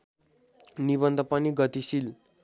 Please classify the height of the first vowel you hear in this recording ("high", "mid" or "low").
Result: high